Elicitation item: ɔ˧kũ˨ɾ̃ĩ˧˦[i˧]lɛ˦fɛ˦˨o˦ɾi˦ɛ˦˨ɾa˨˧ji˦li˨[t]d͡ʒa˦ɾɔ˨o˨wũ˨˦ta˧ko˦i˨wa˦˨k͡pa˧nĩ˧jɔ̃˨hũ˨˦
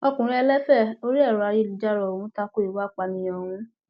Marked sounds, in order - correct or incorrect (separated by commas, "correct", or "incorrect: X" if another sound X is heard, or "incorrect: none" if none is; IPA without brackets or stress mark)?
incorrect: ɛ˧, incorrect: none